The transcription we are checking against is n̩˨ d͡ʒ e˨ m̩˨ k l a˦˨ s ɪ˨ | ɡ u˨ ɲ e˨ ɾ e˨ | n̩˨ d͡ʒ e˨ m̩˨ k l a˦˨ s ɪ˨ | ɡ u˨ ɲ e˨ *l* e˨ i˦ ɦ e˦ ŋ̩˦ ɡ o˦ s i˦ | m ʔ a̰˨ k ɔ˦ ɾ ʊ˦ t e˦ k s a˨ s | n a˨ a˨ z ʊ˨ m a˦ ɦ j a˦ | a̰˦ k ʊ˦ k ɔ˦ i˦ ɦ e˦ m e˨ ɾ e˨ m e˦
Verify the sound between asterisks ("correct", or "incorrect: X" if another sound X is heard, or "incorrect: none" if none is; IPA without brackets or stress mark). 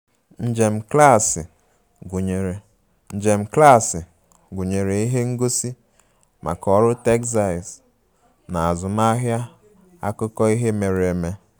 incorrect: ɾ